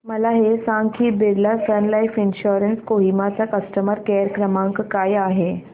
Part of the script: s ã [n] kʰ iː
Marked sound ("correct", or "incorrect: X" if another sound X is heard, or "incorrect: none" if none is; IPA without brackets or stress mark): incorrect: ŋ